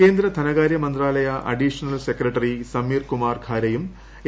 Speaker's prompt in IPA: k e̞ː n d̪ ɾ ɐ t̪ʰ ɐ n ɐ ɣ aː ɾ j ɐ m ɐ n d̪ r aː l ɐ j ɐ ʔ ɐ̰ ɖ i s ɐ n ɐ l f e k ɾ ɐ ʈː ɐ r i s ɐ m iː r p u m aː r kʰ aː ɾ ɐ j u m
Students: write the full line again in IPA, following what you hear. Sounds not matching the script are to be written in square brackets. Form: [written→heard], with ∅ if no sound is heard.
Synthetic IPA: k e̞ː n d̪ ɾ ɐ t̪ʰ ɐ n ɐ ɣ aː ɾ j ɐ m ɐ n d̪ r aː l ɐ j ɐ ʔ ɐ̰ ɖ i [s→ʂ] ɐ n ɐ l [f→s] e k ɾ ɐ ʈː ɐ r i s ɐ m iː r [p→k] u m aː r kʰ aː ɾ ɐ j u m